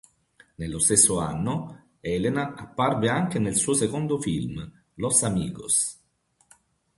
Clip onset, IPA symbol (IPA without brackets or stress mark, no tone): n